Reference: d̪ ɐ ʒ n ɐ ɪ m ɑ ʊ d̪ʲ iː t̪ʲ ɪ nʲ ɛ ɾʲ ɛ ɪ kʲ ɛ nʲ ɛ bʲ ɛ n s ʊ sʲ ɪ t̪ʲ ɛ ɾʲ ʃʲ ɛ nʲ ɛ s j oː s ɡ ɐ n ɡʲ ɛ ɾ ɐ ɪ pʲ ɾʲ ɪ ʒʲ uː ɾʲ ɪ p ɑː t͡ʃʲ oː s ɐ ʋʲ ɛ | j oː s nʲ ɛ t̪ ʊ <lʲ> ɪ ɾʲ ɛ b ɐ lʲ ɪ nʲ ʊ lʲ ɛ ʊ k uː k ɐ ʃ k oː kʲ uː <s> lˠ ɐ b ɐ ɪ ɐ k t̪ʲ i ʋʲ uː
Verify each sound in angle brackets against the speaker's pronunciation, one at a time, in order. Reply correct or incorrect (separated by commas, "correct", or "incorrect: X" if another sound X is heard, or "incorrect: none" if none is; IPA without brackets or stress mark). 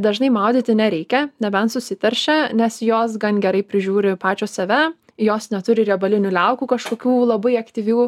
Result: incorrect: ɾʲ, incorrect: none